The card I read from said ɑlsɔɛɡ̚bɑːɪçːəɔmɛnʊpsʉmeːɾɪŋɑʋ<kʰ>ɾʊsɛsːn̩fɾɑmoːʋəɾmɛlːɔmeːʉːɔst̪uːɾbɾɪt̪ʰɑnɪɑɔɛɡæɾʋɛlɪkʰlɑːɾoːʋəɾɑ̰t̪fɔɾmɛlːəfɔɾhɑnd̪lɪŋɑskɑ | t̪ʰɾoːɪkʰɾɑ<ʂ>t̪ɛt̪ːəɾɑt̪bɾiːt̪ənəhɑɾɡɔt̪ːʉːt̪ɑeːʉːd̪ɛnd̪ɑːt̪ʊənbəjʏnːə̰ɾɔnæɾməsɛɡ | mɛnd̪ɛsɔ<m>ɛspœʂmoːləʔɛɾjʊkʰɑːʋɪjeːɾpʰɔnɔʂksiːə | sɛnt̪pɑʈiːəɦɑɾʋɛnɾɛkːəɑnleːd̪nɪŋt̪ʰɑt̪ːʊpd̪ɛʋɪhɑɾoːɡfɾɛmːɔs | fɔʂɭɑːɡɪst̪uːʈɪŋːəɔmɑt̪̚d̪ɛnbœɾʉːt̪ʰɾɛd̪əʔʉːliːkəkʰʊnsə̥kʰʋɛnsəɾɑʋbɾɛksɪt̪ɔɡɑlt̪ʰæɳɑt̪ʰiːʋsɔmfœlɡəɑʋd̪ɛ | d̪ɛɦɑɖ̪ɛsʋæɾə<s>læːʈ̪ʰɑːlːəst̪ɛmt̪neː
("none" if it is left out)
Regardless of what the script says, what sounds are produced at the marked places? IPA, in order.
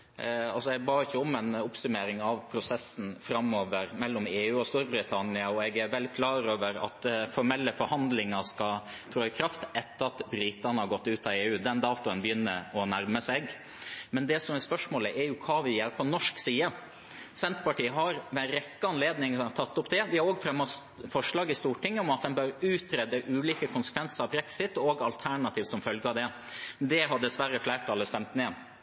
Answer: pʰ, f, m, f

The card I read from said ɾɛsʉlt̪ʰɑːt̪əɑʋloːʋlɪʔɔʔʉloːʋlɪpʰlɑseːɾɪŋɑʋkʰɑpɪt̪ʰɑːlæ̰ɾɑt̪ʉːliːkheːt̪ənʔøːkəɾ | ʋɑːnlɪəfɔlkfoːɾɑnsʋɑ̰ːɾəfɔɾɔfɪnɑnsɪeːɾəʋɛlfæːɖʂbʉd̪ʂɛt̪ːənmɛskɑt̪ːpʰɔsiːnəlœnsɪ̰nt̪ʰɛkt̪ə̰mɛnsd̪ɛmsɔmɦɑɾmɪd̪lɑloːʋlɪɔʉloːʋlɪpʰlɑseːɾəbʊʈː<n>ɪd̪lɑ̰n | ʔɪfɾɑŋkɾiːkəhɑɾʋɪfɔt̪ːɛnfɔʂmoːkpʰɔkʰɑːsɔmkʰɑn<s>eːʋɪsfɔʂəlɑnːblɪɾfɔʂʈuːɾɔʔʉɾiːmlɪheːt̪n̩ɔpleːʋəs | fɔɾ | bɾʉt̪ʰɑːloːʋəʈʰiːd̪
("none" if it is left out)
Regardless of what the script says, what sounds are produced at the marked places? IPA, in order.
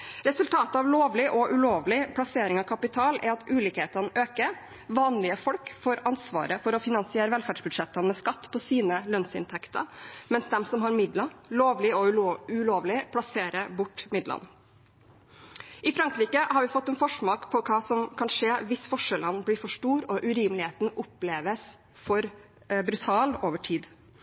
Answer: m, ʂ

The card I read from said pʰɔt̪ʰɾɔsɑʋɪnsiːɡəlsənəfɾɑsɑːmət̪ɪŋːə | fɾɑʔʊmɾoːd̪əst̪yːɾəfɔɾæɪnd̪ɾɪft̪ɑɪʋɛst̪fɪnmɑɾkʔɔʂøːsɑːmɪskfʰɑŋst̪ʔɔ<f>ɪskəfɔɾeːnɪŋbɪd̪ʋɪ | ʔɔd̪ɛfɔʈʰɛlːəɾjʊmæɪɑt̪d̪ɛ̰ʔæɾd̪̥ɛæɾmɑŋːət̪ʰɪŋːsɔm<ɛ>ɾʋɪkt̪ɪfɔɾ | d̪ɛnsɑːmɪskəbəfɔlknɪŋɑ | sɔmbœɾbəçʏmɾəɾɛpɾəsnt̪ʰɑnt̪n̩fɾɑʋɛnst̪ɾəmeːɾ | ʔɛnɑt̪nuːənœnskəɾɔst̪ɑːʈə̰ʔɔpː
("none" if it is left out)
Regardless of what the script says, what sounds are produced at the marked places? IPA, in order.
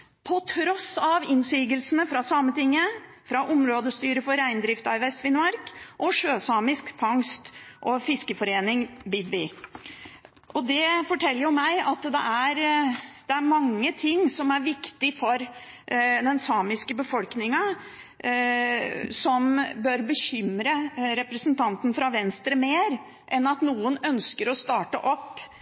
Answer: f, æ

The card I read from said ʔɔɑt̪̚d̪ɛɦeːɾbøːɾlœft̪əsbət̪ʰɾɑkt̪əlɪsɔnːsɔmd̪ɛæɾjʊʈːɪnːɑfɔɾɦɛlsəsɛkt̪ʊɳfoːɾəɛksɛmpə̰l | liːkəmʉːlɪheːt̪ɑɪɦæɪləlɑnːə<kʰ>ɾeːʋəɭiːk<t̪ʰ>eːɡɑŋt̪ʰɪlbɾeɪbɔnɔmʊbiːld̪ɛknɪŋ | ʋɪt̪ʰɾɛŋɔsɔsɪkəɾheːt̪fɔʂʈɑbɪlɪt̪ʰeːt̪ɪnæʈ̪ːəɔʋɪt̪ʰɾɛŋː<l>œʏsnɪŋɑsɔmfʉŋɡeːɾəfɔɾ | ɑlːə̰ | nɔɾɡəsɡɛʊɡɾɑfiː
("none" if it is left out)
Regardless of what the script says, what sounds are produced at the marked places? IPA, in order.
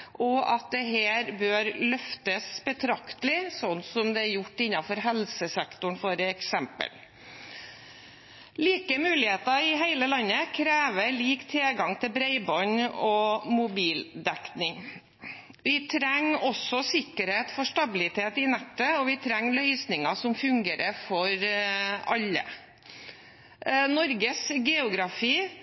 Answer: kʰ, t̪ʰ, l

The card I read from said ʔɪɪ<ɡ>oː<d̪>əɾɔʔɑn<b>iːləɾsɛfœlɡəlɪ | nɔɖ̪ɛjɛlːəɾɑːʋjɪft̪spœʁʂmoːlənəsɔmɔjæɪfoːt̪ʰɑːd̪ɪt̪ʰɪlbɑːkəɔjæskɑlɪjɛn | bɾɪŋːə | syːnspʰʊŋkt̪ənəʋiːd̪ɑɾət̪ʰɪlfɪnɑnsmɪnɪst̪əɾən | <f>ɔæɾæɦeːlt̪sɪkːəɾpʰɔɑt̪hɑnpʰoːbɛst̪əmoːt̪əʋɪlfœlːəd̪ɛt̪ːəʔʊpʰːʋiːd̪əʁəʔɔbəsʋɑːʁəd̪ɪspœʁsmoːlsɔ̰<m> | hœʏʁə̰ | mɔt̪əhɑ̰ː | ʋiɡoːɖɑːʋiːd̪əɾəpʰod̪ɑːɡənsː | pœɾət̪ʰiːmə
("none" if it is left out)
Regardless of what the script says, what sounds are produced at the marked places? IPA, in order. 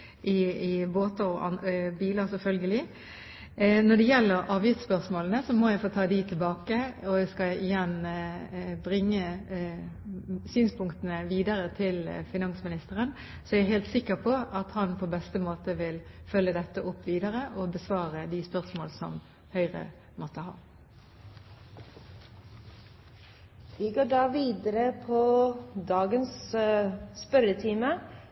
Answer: b, t̪, b, s, m

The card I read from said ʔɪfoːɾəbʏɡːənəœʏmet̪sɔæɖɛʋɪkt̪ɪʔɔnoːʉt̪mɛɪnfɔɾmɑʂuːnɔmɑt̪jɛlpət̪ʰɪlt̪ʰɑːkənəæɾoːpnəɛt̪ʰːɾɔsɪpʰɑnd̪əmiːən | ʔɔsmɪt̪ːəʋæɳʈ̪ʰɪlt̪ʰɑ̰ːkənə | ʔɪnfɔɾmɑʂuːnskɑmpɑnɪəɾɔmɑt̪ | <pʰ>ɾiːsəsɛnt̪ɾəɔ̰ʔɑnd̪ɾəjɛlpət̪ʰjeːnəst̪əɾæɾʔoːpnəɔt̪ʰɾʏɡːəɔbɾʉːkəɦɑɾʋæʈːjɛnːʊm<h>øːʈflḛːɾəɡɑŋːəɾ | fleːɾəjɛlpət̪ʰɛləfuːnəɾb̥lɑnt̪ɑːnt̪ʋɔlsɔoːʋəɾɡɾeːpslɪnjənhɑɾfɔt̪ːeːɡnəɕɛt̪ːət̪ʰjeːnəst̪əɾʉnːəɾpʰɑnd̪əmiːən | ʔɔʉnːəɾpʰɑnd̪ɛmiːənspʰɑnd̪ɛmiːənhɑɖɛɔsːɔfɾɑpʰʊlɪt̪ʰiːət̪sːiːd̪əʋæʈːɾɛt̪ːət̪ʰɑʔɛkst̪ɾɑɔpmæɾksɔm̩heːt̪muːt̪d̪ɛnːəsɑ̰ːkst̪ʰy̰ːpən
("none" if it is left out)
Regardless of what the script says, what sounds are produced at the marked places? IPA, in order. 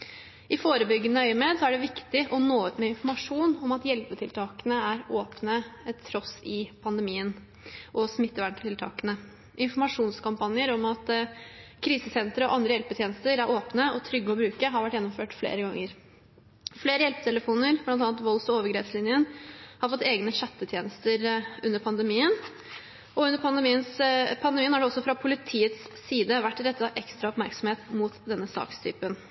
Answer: kʰ, f

